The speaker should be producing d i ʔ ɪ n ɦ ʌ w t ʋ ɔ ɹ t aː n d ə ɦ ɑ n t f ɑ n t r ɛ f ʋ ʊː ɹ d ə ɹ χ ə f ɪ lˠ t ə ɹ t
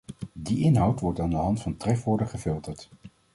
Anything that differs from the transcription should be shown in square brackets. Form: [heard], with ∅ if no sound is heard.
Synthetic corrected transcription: d i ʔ ɪ n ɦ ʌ w t ʋ ɔ ɹ t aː n d ə ɦ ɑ n t f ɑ n t r ɛ f ʋ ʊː ɹ d ə [∅] χ ə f ɪ lˠ t ə ɹ t

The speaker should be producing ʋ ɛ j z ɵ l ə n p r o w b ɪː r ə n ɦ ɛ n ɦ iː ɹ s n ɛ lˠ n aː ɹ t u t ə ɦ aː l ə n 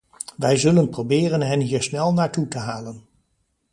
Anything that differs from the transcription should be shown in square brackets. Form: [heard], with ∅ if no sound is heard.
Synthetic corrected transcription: ʋ ɛ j z ɵ l ə n p r o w b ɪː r ə n ɦ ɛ n ɦ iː ɹ s n ɛ lˠ n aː ɹ t u t ə ɦ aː l ə n

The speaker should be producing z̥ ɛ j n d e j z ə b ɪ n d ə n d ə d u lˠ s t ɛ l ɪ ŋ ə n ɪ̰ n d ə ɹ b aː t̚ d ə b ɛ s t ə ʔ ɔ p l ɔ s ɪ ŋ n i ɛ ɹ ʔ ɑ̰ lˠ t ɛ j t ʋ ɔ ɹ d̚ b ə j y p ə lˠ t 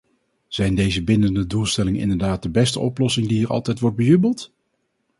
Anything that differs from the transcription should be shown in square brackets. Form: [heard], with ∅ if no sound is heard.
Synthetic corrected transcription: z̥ ɛ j n d e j z ə b ɪ n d ə n d ə d u lˠ s t ɛ l ɪ ŋ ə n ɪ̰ n d ə ɹ [d] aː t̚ d ə b ɛ s t ə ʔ ɔ p l ɔ s ɪ ŋ [d] i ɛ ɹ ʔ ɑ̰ lˠ t ɛ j t ʋ ɔ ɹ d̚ b ə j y [b] ə lˠ t

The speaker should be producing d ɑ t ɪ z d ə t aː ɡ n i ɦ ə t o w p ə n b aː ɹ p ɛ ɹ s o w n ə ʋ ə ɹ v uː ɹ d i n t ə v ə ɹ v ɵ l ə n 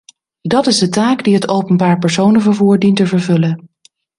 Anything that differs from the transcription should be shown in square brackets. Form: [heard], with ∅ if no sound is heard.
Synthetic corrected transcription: d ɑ t ɪ z d ə t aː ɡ [d] i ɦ ə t o w p ə n b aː ɹ p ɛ ɹ s o w n ə [v] ə ɹ v uː ɹ d i n t ə v ə ɹ v ɵ l ə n

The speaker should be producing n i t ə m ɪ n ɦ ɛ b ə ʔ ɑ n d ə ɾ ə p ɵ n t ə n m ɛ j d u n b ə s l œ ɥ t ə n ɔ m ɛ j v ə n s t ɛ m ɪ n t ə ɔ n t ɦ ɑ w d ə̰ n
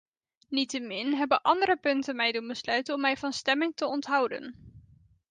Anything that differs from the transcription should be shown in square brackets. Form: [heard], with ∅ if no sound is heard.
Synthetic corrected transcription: n i t ə m ɪ n ɦ ɛ b ə ʔ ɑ n d ə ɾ ə p ɵ n t ə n m ɛ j d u n b ə s l œ ɥ t ə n ɔ m ɛ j v [ɑ] n s t ɛ m ɪ [ŋ] t ə ɔ n t ɦ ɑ w d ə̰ n

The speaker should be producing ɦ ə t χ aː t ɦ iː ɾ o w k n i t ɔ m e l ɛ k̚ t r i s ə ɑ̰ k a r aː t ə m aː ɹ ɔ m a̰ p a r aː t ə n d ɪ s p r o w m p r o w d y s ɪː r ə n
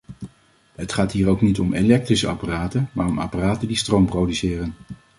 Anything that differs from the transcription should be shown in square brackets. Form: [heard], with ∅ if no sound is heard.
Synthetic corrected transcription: ɦ ə t χ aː t ɦ iː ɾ o w k n i t ɔ m e l ɛ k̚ t r i s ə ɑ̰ [p] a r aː t ə m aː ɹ ɔ m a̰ p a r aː t ə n d [i] s [t] r o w m p r o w d y s ɪː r ə n

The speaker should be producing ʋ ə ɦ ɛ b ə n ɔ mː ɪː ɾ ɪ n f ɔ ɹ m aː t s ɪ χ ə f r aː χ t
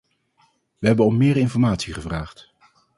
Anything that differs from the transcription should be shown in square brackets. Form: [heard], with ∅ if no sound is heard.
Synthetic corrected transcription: ʋ ə ɦ ɛ b ə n ɔ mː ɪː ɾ ɪ n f ɔ ɹ m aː t s [i] χ ə [v] r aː χ t

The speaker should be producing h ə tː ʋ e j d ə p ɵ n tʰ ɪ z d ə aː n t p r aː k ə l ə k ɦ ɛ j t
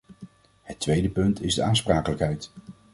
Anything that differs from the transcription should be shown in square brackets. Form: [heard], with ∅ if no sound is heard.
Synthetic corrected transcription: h ə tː ʋ e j d ə p ɵ n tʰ ɪ z d ə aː n [s] p r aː k ə l ə k ɦ ɛ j t

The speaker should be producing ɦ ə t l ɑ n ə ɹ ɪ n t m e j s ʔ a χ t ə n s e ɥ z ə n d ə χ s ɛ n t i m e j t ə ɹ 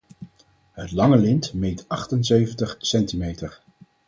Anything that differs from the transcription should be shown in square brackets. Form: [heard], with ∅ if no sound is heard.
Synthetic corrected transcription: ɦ ə t l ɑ [ŋ] ə [l] ɪ n t m e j [t] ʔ [ɑ] χ t ə n s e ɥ [v] ə n [t] ə χ s ɛ n t i m e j t ə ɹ

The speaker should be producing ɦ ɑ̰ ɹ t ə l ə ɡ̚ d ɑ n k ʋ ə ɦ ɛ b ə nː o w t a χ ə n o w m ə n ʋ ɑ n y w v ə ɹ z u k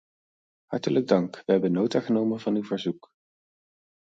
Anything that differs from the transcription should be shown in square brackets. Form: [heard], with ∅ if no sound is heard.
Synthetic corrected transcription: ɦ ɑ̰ ɹ t ə l ə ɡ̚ d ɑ [ŋ] k ʋ ə ɦ ɛ b ə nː o w t a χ ə n o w m ə n [v] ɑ n y w v ə ɹ z u k

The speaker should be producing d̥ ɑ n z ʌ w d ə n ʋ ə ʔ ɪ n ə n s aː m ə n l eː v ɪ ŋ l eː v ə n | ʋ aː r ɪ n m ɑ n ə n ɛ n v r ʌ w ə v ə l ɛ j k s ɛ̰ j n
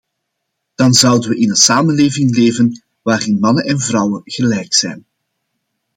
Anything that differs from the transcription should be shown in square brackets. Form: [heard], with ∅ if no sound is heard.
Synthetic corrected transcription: d̥ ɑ n z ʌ w d ə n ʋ ə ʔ ɪ n ə n s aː m ə n l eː v ɪ ŋ l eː v ə n | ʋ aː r ɪ n m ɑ n ə n ɛ n v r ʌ w ə [ɣ] ə l ɛ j k s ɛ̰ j n

